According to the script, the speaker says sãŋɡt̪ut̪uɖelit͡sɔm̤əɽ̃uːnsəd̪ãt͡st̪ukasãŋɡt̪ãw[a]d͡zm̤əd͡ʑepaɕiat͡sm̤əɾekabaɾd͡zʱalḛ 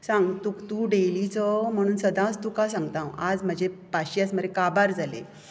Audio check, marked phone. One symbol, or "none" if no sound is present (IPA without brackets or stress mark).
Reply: a